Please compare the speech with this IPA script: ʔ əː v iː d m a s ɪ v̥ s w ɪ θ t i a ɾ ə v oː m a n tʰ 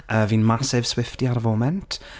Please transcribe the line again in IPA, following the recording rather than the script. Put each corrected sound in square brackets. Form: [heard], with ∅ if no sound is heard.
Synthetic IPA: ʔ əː v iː [n] m a s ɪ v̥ s w ɪ [f] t i a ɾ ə v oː m [ɛ] n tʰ